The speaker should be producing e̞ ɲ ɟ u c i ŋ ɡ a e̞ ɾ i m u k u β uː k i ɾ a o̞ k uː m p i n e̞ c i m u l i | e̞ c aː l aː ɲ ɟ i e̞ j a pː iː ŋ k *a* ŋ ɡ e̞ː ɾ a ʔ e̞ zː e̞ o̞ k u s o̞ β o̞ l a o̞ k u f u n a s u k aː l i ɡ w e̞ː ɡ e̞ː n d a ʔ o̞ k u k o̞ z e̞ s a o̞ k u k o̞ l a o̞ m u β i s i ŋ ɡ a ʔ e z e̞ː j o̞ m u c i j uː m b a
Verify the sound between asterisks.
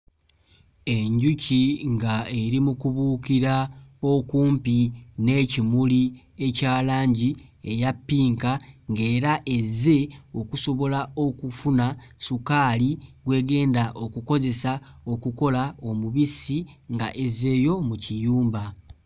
correct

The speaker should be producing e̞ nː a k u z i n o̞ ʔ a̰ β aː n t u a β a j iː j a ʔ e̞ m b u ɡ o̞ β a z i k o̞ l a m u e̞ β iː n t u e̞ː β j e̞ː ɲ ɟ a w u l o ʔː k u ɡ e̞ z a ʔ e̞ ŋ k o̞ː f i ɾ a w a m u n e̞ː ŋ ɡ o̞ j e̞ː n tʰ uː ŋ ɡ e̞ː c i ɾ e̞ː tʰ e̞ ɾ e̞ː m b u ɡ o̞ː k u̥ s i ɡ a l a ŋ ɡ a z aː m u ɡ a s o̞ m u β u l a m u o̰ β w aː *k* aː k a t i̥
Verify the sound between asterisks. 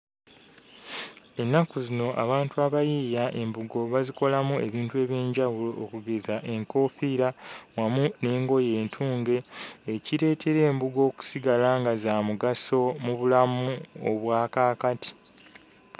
correct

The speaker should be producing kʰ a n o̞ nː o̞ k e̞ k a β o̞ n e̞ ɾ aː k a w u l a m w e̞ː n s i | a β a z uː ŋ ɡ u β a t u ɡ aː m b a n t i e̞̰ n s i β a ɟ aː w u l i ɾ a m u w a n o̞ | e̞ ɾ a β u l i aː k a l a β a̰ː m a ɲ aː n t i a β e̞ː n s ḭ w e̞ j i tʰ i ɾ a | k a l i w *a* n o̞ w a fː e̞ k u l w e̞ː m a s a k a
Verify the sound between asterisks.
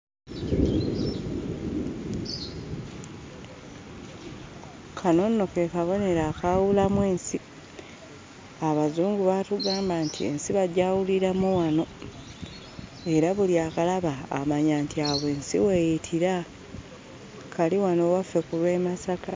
correct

